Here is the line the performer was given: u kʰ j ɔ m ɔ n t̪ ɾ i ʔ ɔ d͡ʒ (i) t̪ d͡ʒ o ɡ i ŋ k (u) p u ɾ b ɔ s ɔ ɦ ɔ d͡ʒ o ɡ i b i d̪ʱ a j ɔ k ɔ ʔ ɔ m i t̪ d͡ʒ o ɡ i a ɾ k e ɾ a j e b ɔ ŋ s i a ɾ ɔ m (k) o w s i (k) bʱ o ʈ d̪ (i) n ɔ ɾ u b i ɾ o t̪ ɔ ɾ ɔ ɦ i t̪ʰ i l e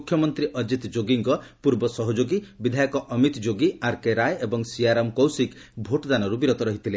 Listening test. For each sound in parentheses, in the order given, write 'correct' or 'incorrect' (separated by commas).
correct, incorrect, correct, correct, incorrect